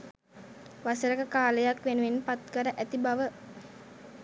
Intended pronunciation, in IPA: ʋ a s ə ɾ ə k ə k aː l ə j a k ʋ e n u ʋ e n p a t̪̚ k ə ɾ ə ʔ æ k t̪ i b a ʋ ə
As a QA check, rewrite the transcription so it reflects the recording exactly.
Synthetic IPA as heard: ʋ a s ə ɾ ə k ə k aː l ə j a k ʋ e n u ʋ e n p a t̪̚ k ə ɾ ə ʔ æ t̪ i b a ʋ ə